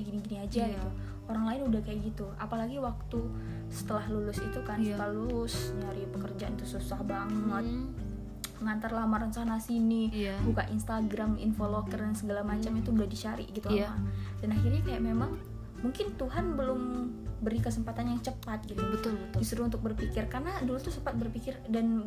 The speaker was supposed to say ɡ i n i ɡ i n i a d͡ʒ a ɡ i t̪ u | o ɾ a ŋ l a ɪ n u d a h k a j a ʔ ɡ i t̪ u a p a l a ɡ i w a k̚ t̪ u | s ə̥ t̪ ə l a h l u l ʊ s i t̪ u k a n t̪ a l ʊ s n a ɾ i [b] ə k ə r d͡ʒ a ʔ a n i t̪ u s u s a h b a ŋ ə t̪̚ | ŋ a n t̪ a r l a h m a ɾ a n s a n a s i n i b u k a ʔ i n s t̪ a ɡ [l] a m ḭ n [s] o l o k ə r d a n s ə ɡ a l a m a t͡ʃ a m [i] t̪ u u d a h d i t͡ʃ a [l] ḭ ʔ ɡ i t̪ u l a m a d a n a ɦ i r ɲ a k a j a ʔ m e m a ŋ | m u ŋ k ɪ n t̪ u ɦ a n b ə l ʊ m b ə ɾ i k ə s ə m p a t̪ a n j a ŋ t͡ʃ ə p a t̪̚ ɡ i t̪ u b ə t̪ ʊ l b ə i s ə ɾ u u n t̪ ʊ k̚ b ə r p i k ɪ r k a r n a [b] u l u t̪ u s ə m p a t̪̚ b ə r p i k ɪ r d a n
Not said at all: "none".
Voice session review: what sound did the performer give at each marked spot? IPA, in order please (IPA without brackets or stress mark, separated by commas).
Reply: p, ɾ, f, i, ɾ, d